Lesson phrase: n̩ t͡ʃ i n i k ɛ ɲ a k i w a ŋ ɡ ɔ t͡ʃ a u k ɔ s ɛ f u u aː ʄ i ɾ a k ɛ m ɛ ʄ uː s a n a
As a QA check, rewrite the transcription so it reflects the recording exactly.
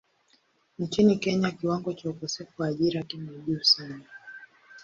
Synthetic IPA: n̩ t͡ʃ i n i k ɛ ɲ a k i w a ŋ ɡ ɔ t͡ʃ a u k ɔ s ɛ f u w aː ʄ i ɾ a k i m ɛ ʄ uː s a n a